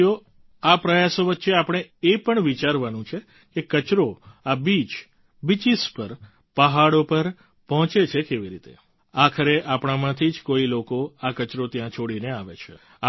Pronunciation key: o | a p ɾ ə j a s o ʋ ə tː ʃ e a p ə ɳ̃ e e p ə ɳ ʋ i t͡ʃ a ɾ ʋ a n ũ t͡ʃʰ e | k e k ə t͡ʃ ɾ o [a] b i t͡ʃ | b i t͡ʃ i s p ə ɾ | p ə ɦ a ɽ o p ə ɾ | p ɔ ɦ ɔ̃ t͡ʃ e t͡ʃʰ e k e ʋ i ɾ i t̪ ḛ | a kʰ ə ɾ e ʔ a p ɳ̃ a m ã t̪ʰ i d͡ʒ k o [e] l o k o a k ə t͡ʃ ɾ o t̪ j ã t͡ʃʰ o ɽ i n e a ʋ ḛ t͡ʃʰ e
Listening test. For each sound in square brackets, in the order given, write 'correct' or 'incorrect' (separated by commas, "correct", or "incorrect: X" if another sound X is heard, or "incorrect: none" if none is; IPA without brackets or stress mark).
correct, incorrect: i